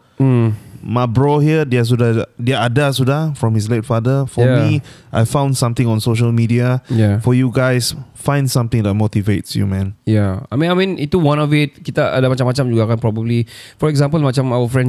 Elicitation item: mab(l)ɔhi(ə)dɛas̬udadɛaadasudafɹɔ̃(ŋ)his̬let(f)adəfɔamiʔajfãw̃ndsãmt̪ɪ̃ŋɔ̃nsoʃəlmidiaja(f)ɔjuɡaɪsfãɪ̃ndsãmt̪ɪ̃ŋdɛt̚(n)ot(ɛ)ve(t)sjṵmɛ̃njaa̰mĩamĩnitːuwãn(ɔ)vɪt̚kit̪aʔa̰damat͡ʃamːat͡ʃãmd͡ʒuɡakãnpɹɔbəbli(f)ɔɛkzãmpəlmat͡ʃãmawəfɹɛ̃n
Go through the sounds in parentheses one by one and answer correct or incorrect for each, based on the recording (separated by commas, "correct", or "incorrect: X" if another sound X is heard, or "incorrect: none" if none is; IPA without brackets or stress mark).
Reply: incorrect: ɹ, correct, incorrect: m, correct, correct, incorrect: m, incorrect: i, correct, correct, correct